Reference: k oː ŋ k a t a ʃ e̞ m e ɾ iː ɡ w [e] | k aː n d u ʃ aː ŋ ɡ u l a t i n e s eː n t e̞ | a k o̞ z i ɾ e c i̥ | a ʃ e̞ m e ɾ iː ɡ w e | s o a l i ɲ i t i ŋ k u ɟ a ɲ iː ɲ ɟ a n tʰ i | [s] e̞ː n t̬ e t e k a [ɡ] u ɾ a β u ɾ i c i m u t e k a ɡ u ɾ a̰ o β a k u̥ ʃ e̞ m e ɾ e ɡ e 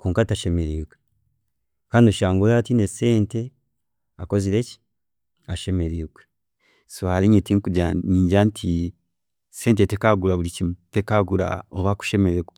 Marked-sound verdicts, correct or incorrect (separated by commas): correct, correct, correct